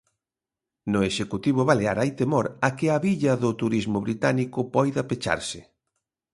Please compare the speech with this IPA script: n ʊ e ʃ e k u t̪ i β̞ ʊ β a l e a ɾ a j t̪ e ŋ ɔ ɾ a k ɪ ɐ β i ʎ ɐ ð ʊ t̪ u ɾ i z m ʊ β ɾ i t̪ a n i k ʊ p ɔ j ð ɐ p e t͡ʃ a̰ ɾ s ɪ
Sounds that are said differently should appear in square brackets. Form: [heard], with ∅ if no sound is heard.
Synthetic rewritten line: n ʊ e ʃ e k u t̪ i β̞ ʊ β a l e a ɾ a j t̪ e [m] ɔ ɾ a k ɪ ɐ β i ʎ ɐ ð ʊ t̪ u ɾ i z m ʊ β ɾ i t̪ a n i k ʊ p ɔ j ð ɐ p e t͡ʃ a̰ ɾ s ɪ